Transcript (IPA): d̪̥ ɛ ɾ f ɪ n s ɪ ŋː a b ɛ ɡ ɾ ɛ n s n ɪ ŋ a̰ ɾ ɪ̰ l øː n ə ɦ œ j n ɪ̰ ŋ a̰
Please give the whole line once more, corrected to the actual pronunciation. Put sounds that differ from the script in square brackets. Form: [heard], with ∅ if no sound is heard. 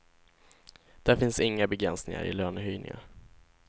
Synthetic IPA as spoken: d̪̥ [æ] ɾ f ɪ n s ɪ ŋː a b ɛ ɡ ɾ ɛ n s n ɪ ŋ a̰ ɾ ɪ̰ l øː n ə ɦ œ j n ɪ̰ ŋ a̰